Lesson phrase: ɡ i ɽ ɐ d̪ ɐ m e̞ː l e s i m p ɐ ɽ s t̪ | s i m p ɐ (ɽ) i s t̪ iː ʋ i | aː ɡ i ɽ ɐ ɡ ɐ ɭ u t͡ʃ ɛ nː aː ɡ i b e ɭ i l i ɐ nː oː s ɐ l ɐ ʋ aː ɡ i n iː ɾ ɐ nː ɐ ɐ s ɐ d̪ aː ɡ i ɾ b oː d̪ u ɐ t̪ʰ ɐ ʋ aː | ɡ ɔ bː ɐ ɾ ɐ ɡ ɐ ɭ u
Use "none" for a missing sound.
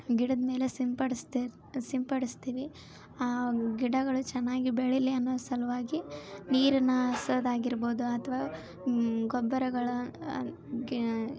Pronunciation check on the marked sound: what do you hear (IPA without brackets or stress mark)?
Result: ɽ